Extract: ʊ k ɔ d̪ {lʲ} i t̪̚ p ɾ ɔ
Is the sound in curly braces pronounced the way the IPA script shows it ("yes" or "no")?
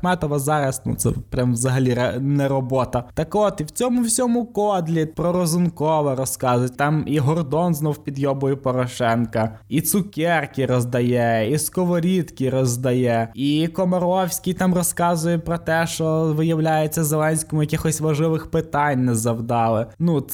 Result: yes